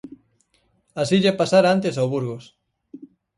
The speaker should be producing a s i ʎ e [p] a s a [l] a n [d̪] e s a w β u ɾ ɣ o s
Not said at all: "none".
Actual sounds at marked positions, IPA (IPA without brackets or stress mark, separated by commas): p, ɾ, t̪